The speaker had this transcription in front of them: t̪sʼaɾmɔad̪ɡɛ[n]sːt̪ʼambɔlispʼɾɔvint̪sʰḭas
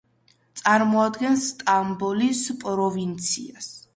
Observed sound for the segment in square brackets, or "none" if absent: n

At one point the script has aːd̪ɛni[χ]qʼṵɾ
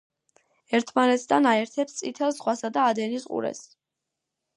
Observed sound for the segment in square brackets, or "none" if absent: s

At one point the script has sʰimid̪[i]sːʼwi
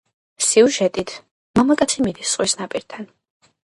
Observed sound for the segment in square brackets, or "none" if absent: i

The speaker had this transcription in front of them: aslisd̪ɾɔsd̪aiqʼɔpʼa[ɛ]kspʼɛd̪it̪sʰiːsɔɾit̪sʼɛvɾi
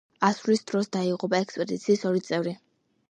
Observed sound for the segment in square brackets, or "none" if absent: ɛ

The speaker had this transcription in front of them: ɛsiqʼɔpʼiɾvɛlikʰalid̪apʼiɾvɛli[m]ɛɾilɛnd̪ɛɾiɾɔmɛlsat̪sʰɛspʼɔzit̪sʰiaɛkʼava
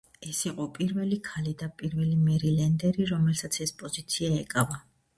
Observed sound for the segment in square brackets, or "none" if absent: m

